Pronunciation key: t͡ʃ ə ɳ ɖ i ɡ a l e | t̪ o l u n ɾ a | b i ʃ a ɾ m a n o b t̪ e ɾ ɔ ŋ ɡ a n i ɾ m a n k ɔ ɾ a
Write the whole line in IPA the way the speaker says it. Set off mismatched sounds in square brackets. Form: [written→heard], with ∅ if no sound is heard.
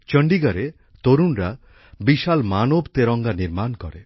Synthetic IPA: t͡ʃ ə ɳ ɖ i ɡ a [l→ɾ] e | t̪ o [l→ɾ] u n ɾ a | b i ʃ a [ɾ→l] m a n o b t̪ e ɾ ɔ ŋ ɡ a n i ɾ m a n k ɔ ɾ [a→e]